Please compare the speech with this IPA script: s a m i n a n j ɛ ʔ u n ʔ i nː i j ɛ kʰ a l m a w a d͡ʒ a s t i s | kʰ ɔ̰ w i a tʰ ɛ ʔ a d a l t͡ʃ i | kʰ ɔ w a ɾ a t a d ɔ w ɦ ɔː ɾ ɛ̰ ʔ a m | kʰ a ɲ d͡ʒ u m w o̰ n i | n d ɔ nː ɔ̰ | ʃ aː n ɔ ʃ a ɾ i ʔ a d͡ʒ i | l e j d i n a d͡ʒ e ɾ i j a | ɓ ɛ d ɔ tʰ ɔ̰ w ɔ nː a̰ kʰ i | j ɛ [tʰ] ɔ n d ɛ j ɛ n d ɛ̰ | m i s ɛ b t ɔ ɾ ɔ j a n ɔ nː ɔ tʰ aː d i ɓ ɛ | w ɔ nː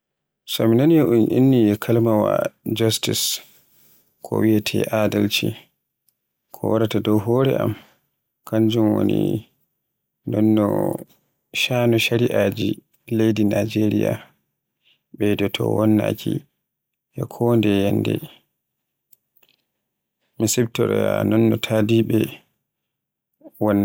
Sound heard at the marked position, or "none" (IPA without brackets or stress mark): kʰ